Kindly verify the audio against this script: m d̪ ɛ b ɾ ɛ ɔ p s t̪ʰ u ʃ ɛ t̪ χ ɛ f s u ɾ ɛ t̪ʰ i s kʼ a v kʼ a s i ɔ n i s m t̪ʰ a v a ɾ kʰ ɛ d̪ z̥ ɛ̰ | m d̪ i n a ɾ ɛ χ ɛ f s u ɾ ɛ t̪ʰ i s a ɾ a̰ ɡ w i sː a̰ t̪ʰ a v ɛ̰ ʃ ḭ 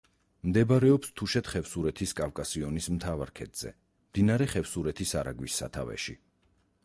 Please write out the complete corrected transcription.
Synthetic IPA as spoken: m d̪ ɛ b ɾ ɛ ɔ p s t̪ʰ u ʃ ɛ t̪ χ ɛ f s u ɾ ɛ t̪ʰ i s kʼ a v kʼ a s i ɔ n i s m t̪ʰ a v a ɾ kʰ ɛ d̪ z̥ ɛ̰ | m d̪ i n a ɾ ɛ χ ɛ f s u ɾ ɛ t̪ʰ i s a ɾ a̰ ɡ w i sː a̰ t̪ʰ a v ɛ̰ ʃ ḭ